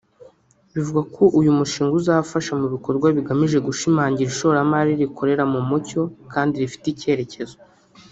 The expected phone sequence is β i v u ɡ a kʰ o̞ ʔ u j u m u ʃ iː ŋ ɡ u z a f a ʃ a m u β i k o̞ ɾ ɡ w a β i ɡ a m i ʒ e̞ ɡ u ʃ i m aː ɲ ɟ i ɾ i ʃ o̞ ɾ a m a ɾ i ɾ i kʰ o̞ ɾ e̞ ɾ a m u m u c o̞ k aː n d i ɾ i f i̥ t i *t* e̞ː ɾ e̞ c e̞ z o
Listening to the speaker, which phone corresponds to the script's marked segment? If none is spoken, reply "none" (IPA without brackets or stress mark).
c